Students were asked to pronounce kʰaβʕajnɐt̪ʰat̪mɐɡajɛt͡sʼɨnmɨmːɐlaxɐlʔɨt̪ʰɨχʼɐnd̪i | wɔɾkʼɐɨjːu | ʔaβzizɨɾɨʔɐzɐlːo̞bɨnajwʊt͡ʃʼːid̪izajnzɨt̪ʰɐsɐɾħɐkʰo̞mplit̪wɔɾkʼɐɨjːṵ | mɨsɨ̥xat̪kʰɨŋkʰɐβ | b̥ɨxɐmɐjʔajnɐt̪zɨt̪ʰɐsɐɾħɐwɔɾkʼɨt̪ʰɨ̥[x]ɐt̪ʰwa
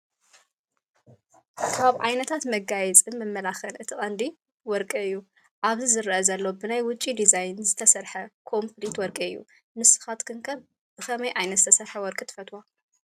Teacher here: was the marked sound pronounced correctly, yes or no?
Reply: no